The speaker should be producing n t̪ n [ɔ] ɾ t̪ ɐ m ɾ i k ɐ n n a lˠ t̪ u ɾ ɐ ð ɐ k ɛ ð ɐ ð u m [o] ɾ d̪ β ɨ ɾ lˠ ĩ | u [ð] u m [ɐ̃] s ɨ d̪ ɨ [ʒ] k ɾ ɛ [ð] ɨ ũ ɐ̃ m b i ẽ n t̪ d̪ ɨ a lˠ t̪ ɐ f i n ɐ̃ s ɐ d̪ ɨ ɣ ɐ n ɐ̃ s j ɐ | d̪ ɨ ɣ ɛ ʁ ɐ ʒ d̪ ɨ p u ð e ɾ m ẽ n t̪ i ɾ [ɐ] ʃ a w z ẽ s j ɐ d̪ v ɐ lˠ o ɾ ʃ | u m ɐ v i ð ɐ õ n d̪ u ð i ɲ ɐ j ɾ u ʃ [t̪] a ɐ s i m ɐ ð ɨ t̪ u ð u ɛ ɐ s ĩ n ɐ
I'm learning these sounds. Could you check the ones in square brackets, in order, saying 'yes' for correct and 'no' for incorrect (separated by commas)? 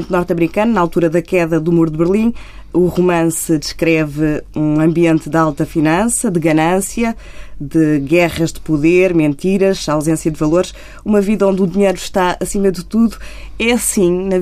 yes, no, no, yes, no, no, yes, yes